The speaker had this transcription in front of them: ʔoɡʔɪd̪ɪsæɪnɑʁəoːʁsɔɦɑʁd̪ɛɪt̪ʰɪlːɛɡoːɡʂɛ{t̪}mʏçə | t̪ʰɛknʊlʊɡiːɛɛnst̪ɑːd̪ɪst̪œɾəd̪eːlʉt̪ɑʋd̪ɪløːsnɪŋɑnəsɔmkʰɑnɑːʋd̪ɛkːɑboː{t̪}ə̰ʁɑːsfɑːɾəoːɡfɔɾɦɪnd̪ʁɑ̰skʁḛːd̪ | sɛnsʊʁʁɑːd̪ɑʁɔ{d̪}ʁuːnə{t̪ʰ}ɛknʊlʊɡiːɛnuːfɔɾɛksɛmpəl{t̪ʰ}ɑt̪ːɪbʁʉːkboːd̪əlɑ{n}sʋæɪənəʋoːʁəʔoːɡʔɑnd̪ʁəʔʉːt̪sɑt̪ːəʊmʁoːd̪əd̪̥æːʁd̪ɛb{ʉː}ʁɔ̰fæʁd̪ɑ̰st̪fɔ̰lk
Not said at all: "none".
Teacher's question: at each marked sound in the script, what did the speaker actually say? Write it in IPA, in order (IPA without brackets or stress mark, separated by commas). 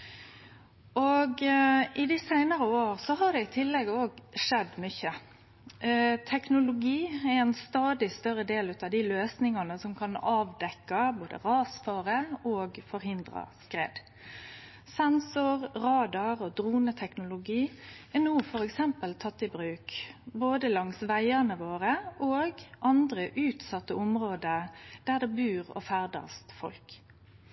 d̪, d̪, d̪, t̪ʰ, t̪ʰ, ŋ, ʉː